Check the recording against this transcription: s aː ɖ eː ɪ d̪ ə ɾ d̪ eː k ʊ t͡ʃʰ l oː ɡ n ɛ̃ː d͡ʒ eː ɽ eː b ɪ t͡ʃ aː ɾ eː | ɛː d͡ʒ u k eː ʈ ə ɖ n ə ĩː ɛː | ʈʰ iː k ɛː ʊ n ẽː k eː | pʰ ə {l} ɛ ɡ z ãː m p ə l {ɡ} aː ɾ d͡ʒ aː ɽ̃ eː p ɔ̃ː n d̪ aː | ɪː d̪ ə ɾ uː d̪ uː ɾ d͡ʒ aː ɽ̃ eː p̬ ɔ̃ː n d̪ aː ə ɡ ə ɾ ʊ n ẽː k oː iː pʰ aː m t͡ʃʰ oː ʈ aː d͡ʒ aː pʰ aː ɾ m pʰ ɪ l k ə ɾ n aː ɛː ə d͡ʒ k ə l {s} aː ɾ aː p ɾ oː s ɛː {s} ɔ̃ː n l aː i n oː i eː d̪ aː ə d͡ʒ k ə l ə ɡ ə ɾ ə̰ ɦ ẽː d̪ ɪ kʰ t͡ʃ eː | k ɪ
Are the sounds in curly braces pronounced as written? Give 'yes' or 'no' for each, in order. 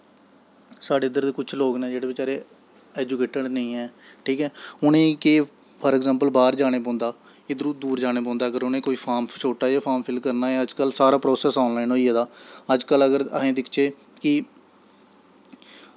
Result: no, no, yes, yes

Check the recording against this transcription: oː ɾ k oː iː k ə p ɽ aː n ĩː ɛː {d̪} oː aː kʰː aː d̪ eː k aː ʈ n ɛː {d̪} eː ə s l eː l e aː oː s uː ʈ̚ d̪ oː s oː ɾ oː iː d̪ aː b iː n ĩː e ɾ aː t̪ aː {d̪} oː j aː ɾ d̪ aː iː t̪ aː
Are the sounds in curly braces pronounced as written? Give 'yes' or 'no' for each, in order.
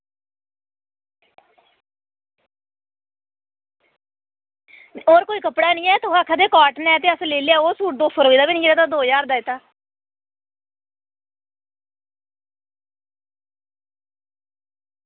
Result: no, no, yes

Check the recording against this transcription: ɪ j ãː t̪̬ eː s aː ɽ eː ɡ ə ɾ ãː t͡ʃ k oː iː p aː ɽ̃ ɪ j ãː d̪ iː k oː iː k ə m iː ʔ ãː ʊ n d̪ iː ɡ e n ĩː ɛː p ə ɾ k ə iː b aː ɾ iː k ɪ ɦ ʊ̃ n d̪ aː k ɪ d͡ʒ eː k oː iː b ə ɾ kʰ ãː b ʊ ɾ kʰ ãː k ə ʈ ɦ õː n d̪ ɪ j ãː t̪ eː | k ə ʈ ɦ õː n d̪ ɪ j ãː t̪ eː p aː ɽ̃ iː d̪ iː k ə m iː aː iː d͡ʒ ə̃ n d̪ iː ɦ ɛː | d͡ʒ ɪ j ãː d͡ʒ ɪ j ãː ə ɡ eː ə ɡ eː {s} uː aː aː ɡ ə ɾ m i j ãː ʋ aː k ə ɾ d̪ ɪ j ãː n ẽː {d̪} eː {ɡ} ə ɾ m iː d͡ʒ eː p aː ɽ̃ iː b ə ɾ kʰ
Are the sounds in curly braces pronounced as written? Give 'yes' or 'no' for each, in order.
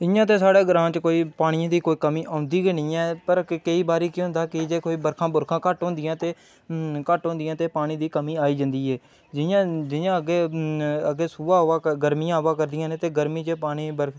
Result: yes, no, yes

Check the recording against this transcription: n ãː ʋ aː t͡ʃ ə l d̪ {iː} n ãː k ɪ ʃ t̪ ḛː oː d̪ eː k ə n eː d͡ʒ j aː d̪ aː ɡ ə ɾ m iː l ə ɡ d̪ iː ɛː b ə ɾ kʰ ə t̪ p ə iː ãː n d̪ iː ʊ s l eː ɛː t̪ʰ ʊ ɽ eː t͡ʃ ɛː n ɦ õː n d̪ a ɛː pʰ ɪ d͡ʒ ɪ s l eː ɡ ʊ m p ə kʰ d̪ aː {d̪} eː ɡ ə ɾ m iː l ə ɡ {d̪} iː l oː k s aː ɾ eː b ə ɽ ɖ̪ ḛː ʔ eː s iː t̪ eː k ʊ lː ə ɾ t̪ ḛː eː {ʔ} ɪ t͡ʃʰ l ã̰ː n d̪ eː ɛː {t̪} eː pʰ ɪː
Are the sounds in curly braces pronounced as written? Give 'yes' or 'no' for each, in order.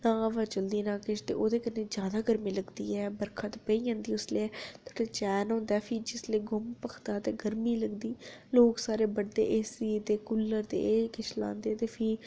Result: yes, no, yes, no, yes

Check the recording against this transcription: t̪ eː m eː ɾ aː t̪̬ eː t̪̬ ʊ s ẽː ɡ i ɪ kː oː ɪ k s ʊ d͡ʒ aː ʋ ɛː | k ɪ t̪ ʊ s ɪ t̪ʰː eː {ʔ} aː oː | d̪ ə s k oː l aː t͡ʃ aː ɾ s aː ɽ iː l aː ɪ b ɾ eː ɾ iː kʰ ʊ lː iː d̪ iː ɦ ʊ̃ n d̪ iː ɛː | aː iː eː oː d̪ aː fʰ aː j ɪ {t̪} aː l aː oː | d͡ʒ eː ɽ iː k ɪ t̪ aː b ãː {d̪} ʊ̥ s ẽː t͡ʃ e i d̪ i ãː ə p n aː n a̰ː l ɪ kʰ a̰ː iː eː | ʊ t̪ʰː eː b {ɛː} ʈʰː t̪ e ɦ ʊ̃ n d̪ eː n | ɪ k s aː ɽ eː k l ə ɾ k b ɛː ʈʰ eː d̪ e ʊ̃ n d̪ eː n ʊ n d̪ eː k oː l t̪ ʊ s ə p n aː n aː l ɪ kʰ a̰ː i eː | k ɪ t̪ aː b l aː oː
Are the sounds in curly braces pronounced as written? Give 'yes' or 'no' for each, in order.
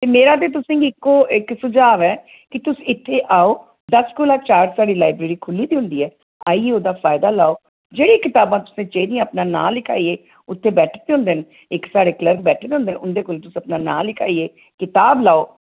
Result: yes, no, no, yes

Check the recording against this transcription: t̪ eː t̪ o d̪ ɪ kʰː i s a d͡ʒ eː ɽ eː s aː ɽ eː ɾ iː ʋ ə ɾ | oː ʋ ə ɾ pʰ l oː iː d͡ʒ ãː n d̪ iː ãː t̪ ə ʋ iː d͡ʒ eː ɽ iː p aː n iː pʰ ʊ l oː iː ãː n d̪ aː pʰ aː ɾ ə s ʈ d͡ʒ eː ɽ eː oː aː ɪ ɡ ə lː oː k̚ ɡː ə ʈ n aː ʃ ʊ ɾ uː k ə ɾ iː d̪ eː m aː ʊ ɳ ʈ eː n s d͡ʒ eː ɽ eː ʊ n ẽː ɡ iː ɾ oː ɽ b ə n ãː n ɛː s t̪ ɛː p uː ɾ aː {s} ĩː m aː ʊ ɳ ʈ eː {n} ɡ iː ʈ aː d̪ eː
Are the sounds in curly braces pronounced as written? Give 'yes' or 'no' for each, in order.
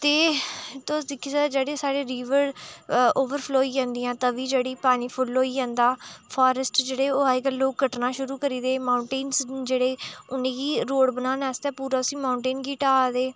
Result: yes, yes

